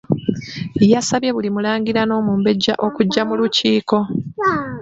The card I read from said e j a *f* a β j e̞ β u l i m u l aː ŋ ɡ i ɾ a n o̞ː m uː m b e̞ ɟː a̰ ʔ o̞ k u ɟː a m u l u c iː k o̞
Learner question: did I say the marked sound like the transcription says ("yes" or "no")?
no